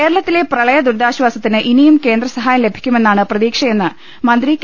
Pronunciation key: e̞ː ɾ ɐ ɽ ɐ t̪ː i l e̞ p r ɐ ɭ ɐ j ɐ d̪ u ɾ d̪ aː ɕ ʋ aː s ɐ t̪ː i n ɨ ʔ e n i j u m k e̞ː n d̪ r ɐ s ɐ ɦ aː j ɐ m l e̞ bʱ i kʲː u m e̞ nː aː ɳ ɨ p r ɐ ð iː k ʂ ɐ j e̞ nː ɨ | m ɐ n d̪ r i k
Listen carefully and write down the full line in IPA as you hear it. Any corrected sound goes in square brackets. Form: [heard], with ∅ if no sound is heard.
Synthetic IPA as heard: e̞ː ɾ ɐ [ɭ] ɐ t̪ː i l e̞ p r ɐ ɭ ɐ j ɐ d̪ u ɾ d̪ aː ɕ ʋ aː s ɐ t̪ː i n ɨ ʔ [i] n i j u m k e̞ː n d̪ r ɐ s ɐ ɦ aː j ɐ m l e̞ bʱ i kʲː u m e̞ nː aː ɳ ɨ p r ɐ ð iː k ʂ ɐ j e̞ nː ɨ | m ɐ n d̪ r i k